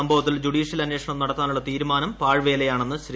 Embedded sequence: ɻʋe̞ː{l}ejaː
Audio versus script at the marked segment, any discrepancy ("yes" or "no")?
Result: no